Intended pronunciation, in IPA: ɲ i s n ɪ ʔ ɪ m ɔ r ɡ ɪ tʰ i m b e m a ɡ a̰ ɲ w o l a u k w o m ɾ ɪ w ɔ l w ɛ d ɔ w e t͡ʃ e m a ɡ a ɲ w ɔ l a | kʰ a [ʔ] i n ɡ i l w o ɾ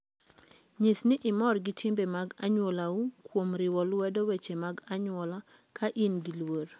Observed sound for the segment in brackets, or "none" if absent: ʔ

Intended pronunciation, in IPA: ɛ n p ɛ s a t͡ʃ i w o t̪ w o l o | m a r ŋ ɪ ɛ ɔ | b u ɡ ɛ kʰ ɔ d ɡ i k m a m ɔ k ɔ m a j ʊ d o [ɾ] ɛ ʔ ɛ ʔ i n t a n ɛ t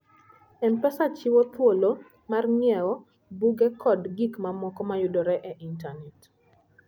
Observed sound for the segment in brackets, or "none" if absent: ɾ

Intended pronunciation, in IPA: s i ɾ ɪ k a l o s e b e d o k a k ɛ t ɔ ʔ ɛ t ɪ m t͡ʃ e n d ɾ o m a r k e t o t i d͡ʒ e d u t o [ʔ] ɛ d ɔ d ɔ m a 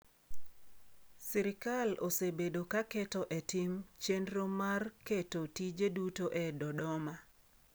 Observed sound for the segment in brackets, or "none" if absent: ʔ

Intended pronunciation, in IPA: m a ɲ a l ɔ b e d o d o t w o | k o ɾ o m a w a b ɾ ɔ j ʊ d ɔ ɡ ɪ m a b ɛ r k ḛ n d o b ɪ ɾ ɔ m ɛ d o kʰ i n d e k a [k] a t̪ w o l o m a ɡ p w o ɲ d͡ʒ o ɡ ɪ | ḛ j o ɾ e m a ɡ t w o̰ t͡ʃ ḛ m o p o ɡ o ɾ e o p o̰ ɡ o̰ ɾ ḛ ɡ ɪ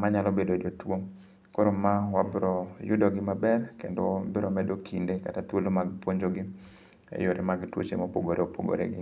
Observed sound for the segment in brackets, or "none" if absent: t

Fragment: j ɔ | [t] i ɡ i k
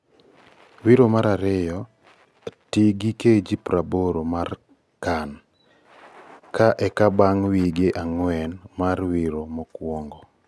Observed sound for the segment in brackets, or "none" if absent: t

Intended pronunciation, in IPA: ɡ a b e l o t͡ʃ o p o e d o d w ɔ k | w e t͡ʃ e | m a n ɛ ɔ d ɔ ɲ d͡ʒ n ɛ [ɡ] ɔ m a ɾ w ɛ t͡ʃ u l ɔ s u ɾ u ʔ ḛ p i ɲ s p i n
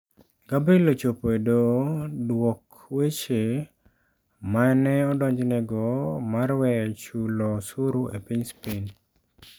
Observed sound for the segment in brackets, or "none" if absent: ɡ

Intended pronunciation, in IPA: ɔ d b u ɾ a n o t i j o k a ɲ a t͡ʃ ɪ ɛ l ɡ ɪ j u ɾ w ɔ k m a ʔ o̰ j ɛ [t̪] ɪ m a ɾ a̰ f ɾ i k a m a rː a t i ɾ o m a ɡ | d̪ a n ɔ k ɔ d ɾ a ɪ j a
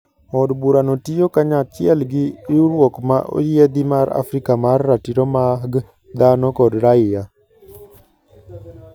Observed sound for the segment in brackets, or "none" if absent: d̪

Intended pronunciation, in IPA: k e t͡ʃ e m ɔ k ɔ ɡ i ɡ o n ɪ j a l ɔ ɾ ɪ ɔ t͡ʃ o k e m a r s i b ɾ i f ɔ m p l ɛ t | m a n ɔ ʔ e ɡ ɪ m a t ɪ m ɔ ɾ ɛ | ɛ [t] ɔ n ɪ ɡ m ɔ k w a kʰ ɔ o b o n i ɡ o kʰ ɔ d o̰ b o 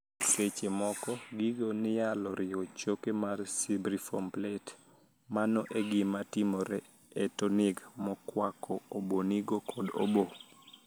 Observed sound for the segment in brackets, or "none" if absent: t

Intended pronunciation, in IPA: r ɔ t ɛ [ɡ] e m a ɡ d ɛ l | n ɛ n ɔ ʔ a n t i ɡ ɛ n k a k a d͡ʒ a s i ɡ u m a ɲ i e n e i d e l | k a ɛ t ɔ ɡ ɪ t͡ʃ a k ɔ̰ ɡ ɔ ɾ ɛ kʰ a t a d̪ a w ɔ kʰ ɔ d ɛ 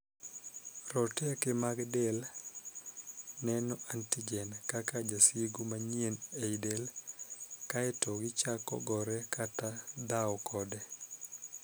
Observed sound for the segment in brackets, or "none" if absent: k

